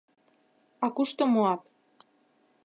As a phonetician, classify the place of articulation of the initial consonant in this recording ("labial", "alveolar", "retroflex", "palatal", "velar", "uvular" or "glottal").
velar